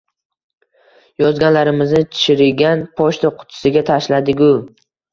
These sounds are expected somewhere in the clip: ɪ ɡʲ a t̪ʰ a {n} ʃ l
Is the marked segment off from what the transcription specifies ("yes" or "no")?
yes